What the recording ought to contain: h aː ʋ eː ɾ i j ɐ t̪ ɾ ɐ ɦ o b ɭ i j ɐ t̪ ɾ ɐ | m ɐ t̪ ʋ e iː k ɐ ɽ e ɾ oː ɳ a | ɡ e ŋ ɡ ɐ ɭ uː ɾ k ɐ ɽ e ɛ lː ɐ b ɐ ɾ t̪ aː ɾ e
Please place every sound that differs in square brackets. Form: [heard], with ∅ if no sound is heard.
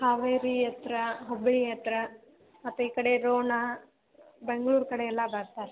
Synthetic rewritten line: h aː ʋ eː ɾ i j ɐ t̪ ɾ ɐ ɦ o b ɭ i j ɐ t̪ ɾ ɐ | m ɐ t̪ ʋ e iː k ɐ ɽ e ɾ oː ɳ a | [b] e ŋ ɡ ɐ ɭ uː ɾ k ɐ ɽ e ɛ lː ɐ b ɐ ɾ t̪ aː ɾ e